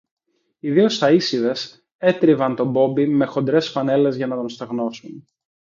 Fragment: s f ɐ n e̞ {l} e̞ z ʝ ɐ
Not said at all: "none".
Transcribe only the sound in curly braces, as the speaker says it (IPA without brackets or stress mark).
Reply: l